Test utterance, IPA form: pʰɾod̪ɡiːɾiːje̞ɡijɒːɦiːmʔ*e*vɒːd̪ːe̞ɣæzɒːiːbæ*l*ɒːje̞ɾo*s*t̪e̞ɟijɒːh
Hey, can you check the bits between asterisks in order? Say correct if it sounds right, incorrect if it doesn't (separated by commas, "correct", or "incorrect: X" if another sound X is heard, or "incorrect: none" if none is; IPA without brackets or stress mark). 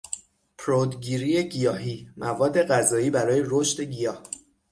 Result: incorrect: æ, incorrect: ɾ, incorrect: ʃ